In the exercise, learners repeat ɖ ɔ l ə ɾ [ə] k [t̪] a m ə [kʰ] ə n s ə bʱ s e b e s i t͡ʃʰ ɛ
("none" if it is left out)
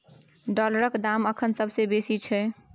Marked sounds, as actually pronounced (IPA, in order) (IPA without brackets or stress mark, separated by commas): ə, d̪, kʰ